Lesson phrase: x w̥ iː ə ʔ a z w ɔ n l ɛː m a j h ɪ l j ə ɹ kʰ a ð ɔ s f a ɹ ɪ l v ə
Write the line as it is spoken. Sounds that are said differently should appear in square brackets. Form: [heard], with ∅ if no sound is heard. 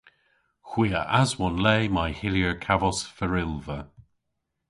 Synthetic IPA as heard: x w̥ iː ə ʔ a z w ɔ n l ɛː m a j h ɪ l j ə ɹ kʰ a [v] ɔ s f [ə] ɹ ɪ l v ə